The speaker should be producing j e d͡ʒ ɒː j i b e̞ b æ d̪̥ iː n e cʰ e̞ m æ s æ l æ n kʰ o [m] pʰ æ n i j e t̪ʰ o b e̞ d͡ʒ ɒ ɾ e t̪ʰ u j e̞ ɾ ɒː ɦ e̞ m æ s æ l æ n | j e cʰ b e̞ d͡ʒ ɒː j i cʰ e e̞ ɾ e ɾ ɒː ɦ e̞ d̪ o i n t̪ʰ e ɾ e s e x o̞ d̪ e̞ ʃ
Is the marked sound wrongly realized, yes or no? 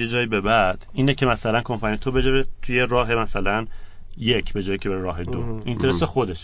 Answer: no